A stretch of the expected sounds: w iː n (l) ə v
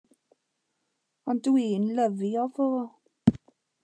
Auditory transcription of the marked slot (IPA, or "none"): l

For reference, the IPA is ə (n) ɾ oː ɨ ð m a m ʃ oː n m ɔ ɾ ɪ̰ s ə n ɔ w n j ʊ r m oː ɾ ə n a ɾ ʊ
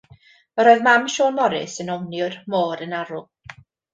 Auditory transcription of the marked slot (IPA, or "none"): none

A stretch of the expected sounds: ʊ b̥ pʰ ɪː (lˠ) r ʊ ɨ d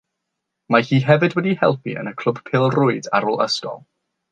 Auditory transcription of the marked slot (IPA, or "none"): lˠ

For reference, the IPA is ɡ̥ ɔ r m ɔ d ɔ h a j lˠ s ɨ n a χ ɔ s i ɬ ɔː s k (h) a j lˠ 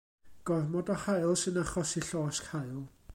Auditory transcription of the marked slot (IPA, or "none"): h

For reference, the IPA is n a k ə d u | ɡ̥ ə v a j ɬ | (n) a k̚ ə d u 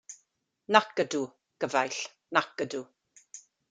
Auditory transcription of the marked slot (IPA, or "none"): n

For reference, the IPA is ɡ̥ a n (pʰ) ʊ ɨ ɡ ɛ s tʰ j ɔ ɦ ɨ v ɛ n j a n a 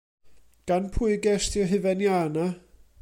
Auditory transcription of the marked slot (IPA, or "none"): pʰ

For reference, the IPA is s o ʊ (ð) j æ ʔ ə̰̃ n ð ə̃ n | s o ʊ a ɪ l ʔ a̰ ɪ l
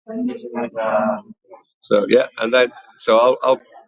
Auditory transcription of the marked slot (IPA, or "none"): none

